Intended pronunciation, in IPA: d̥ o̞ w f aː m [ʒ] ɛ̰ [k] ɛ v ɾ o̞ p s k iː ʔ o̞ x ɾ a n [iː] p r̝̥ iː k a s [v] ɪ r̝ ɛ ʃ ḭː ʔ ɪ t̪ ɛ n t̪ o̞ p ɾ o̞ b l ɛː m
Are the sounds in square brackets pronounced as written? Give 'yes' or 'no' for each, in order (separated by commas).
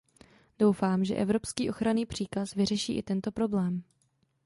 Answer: yes, no, yes, yes